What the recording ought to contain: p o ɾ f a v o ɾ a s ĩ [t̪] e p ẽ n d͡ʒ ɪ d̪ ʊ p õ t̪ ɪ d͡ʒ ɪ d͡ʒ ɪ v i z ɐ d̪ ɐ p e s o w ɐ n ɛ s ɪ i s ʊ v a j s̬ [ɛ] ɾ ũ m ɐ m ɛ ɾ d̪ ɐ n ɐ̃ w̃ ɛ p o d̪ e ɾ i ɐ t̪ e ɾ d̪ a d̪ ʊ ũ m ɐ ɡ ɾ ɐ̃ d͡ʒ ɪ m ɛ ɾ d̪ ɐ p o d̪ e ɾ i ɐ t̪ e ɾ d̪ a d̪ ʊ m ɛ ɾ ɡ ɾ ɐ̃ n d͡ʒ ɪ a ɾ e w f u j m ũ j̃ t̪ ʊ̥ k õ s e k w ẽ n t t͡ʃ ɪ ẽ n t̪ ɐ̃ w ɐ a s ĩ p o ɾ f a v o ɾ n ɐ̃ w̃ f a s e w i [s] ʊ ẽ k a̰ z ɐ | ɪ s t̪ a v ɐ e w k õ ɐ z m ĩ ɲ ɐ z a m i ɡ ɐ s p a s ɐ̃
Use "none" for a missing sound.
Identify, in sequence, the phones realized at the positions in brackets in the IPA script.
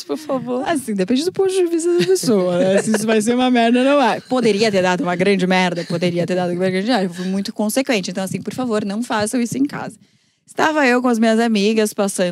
d̪, e, s

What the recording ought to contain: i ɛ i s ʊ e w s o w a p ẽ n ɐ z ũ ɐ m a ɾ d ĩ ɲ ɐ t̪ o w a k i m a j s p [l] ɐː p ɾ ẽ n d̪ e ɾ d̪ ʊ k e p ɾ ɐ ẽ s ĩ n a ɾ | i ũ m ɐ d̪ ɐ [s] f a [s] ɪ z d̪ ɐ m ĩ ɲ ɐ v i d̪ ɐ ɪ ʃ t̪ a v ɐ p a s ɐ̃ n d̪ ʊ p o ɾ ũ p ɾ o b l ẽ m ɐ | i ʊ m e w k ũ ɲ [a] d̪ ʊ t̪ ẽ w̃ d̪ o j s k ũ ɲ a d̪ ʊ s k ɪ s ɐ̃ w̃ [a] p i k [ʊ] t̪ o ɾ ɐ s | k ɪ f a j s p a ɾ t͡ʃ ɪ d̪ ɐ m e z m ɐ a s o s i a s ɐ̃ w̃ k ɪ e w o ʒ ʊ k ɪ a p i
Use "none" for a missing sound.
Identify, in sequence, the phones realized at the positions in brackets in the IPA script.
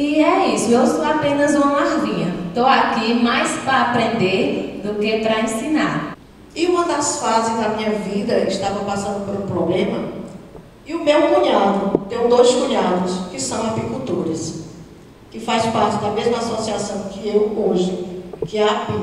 ɾ, s, z, a, a, u

